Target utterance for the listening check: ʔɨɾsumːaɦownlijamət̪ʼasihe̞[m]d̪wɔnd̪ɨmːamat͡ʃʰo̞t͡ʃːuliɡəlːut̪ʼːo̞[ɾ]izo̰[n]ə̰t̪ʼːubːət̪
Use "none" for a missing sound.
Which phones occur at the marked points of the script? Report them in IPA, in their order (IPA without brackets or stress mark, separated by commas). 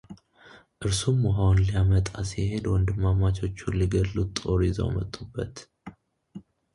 none, ɾ, m